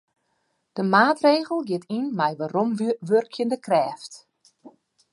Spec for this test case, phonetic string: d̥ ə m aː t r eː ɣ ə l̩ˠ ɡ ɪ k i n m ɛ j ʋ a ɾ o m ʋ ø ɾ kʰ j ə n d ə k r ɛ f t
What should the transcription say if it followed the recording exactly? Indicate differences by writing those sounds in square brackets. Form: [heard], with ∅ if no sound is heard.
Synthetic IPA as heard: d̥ ə m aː t r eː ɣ ə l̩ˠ ɡ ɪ [t] i n m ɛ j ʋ a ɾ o m ʋ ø [r] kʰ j ə n d ə k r [ɛː] f t